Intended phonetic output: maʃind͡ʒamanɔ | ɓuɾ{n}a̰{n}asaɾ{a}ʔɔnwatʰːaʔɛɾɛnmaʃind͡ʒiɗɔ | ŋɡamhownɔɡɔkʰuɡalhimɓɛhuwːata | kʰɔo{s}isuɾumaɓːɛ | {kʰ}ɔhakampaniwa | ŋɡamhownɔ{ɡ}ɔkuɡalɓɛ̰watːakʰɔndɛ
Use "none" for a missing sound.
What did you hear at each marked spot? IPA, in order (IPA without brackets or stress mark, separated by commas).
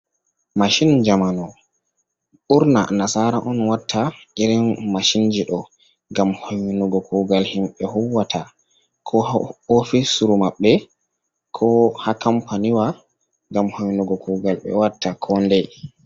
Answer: n, n, a, f, kʰ, ɡ